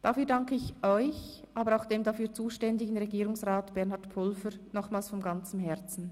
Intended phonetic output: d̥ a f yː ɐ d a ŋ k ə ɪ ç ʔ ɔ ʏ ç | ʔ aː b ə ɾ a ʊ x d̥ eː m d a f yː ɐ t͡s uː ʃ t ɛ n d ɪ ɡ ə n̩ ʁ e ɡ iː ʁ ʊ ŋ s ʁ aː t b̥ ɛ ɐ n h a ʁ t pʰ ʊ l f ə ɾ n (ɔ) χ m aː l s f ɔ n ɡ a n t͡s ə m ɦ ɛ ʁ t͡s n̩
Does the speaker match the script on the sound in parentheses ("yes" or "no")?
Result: yes